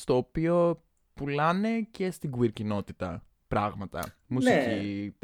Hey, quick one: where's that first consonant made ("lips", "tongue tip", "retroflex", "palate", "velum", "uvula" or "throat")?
tongue tip